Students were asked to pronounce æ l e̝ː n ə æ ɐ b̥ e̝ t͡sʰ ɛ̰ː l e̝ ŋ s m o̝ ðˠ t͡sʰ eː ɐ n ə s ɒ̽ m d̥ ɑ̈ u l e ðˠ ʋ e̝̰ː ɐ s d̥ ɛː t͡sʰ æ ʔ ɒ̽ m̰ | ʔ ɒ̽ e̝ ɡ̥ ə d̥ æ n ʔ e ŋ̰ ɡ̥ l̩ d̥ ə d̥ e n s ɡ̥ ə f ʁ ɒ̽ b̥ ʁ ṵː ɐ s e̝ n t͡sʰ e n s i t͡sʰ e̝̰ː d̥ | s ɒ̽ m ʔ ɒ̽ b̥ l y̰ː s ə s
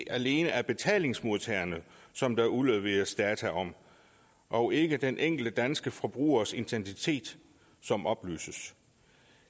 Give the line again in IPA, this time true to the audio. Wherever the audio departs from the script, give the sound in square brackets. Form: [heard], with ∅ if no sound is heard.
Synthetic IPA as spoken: æ l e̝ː n ə æ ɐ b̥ e̝ t͡sʰ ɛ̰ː l e̝ ŋ s m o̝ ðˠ t͡sʰ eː ɐ n ə s ɒ̽ m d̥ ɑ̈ u l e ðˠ ʋ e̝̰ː ɐ s d̥ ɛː t͡sʰ æ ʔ ɒ̽ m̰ | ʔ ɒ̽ e̝ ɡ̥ ə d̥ [e] n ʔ e ŋ̰ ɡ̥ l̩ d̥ ə d̥ [æ] n s ɡ̥ ə f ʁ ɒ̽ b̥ ʁ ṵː ɐ s e̝ n t͡sʰ e n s i t͡sʰ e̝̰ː d̥ | s ɒ̽ m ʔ ɒ̽ b̥ l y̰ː s ə s